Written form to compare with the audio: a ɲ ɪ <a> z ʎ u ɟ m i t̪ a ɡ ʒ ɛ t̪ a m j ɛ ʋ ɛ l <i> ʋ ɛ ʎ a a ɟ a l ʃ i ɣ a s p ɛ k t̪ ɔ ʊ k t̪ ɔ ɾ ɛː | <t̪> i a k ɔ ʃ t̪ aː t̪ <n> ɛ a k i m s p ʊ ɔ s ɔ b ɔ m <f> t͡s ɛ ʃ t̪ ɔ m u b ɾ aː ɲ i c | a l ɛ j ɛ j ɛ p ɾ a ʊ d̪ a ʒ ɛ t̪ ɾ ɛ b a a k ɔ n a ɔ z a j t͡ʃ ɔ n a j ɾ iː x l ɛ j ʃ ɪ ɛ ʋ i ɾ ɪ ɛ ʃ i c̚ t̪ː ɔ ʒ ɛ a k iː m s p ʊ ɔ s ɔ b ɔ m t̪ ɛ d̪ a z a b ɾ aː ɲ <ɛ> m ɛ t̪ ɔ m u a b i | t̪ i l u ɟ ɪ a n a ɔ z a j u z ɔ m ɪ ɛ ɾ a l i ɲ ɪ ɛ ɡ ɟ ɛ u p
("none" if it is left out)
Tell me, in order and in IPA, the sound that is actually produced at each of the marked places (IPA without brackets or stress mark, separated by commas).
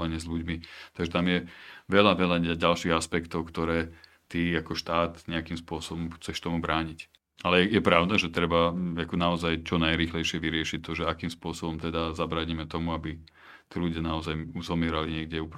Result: ɛ, a, t̪, ɲ, x, i